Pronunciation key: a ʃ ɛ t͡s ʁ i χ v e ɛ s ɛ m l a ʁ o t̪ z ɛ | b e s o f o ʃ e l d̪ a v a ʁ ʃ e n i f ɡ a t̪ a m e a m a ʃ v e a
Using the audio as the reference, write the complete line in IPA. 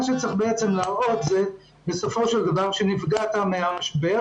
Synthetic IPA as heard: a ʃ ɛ t͡s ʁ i χ b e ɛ t͡s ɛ m l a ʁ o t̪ z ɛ | b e s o f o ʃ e l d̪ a v a ʁ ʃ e n i f ɡ a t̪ a m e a m a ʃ b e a